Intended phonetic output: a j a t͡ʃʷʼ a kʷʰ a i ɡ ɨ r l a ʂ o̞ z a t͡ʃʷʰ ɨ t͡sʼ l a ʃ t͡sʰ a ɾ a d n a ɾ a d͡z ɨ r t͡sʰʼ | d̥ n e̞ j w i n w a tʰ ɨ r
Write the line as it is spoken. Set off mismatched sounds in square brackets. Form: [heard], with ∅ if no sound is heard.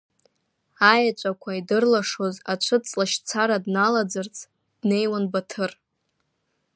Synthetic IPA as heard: a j a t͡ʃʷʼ a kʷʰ a i [d] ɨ r l a ʂ o̞ z a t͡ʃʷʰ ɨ t͡sʼ l a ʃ t͡sʰ a ɾ a d n a [l] a d͡z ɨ r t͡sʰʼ | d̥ n e̞ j w [a] n [b] a tʰ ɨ r